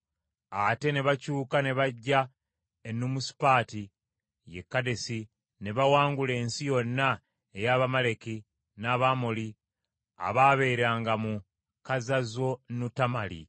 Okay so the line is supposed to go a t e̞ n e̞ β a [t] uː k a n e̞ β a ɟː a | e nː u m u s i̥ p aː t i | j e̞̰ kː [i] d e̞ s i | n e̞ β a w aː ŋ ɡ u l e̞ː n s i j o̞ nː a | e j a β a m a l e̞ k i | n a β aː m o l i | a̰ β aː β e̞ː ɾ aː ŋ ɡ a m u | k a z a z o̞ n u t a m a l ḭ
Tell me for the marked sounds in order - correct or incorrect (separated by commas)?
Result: incorrect, incorrect